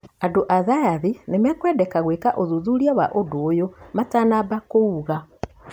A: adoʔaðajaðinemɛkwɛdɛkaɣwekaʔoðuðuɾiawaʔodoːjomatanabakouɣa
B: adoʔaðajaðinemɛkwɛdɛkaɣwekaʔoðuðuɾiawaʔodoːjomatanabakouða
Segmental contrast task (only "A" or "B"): A